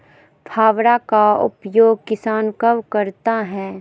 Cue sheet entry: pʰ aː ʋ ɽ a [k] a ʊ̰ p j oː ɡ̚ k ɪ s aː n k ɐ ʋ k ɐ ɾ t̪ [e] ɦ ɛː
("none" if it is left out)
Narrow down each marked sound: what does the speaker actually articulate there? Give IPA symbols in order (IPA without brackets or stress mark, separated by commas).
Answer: k, a